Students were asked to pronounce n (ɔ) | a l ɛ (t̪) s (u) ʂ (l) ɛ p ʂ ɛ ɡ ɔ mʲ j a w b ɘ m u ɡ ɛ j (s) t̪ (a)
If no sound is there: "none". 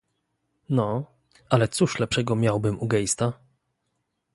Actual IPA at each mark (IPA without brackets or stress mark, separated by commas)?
ɔ, t̪, u, l, s, a